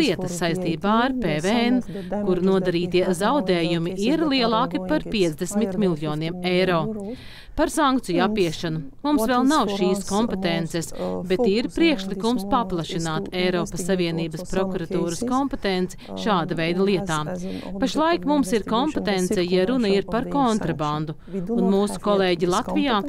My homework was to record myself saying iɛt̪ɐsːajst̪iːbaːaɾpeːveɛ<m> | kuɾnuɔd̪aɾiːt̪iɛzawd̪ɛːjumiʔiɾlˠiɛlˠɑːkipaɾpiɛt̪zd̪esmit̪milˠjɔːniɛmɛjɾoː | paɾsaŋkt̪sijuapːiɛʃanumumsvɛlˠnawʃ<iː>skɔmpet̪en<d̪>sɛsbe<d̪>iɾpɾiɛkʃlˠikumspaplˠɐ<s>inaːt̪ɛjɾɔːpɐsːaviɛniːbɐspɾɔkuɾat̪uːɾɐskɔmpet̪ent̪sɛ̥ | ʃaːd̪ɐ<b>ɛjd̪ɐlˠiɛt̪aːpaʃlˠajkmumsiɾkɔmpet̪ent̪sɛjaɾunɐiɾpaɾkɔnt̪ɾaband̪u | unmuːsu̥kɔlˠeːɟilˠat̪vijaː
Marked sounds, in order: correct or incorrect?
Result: incorrect: n, correct, incorrect: t̪, incorrect: t̪, incorrect: ʃ, incorrect: v

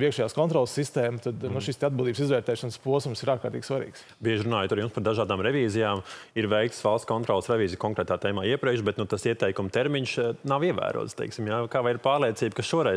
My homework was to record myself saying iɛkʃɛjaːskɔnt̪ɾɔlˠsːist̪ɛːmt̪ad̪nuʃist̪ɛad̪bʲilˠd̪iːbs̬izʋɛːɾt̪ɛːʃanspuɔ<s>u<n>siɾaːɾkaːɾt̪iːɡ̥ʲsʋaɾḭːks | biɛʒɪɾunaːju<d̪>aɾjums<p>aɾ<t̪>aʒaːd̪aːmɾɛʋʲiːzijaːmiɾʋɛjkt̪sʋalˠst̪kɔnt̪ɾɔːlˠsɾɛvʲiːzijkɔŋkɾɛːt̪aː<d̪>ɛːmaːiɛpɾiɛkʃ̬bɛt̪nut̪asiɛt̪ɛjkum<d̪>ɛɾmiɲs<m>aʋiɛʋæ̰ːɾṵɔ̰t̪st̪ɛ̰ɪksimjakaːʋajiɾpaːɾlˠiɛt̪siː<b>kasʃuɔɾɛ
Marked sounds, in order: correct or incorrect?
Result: correct, incorrect: m, incorrect: t̪, correct, incorrect: d̪, incorrect: t̪, incorrect: t̪, incorrect: n, correct

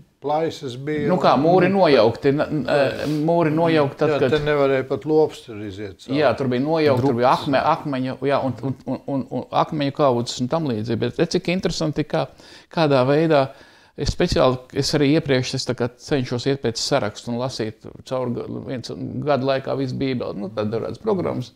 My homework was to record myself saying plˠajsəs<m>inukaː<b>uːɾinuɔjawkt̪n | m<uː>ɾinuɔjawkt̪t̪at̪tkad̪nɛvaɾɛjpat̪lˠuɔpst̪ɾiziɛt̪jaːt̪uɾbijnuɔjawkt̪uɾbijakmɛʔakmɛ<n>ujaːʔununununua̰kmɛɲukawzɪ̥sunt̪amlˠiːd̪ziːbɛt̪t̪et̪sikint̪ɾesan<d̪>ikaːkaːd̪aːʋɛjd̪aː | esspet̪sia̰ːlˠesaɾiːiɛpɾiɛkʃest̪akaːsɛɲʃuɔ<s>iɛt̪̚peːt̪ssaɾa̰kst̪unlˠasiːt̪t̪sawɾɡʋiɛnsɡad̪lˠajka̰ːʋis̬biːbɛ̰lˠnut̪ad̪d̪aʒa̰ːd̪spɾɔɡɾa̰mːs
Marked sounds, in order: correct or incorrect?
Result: incorrect: b, incorrect: m, correct, incorrect: ɲ, incorrect: t̪, correct

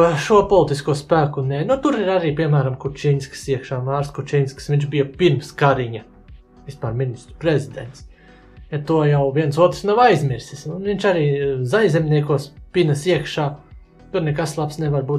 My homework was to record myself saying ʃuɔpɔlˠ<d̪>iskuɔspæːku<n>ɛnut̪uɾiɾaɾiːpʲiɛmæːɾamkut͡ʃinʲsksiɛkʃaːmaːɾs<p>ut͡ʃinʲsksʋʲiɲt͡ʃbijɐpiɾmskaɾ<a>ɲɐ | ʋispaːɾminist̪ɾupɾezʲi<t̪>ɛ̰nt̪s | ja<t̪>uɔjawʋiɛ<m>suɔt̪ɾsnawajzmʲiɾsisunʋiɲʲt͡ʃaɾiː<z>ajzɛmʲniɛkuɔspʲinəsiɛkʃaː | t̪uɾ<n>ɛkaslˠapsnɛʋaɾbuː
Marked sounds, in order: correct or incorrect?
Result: incorrect: t̪, correct, incorrect: k, incorrect: i, incorrect: d̪, correct, incorrect: n, correct, correct

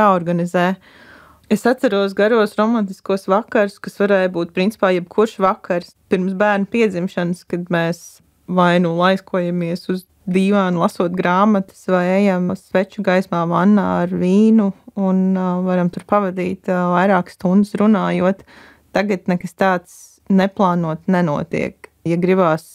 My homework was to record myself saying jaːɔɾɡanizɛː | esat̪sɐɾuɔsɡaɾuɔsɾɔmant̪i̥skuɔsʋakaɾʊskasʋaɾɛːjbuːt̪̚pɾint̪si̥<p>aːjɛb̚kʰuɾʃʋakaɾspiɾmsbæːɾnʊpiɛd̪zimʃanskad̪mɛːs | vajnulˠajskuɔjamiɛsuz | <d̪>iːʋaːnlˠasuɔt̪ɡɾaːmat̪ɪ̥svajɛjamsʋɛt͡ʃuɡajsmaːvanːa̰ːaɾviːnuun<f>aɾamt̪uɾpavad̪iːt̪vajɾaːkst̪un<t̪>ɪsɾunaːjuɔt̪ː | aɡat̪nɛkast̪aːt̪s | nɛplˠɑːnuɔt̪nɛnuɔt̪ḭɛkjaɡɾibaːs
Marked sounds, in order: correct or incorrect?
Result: correct, correct, incorrect: v, incorrect: d̪

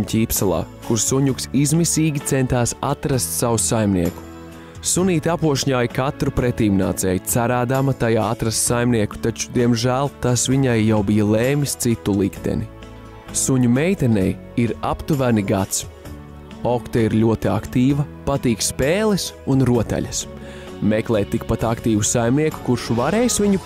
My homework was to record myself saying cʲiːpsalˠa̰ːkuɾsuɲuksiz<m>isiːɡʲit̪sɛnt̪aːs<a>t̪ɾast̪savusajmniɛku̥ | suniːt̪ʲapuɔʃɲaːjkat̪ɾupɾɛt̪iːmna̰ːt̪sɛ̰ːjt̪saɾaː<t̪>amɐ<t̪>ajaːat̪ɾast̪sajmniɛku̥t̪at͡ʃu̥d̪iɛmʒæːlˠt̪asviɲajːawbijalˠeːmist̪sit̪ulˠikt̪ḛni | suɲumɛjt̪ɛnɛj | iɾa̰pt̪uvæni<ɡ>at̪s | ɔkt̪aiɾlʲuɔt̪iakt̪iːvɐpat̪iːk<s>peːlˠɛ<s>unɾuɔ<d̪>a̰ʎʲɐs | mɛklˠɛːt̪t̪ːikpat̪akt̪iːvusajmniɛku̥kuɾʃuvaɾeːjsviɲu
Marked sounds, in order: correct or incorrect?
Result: correct, correct, incorrect: d̪, correct, correct, correct, correct, incorrect: t̪

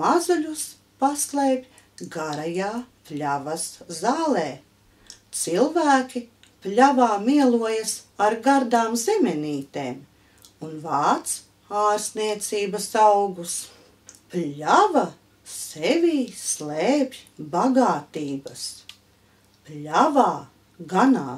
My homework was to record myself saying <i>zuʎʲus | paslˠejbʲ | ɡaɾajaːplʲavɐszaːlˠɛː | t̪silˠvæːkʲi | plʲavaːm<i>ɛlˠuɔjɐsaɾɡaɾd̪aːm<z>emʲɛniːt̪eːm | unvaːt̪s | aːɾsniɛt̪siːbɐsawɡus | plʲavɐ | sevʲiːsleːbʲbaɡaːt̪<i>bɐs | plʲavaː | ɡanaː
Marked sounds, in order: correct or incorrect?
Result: incorrect: a, correct, correct, incorrect: iː

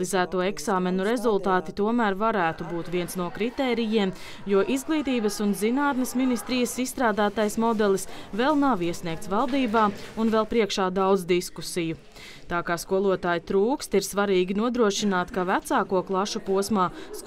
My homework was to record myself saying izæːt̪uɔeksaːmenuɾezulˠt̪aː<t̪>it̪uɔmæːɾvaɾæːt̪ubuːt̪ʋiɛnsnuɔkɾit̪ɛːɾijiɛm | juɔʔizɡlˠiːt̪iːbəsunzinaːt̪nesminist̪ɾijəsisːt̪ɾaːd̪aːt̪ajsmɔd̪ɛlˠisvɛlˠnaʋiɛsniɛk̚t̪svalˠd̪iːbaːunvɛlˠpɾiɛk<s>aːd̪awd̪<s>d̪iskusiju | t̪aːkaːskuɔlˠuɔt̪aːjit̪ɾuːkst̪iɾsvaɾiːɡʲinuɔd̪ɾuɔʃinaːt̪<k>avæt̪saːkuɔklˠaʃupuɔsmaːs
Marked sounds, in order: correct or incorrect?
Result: correct, incorrect: ʃ, incorrect: z, correct

